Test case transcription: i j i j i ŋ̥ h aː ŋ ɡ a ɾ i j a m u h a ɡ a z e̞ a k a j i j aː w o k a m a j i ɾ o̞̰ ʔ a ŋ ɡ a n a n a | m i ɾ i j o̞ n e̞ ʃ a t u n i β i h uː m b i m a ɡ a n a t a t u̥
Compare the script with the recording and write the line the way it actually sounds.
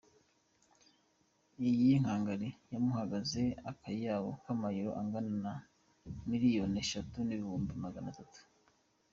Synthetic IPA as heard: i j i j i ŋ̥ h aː ŋ ɡ a ɾ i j a m u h a ɡ a z e̞ a k a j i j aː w o k a m a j i ɾ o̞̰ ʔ a ŋ ɡ a n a n a | m i ɾ i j o̞ n e̞ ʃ a t u n i β i h uː m b i m a ɡ a n a t a t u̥